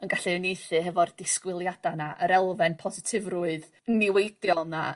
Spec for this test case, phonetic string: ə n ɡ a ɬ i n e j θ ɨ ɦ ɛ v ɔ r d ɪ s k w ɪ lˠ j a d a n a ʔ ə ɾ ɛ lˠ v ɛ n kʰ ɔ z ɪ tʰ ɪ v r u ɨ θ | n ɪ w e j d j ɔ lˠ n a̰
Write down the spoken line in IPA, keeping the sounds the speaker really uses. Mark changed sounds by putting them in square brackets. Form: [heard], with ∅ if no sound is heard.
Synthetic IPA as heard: ə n ɡ a ɬ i n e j θ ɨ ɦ ɛ v ɔ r d ɪ s k w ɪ lˠ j a d a n a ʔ ə ɾ ɛ lˠ v ɛ n [pʰ] ɔ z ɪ tʰ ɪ v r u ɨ [ð] | n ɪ w e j d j ɔ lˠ n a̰